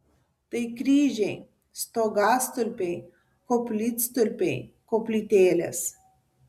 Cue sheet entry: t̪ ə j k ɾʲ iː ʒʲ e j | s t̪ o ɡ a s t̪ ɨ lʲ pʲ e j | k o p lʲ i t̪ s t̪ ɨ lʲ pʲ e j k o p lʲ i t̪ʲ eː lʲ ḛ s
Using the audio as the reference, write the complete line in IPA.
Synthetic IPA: t̪ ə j k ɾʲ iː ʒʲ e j | s t̪ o ɡ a s t̪ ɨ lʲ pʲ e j | k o p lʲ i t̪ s t̪ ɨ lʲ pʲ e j k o p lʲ i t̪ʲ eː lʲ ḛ s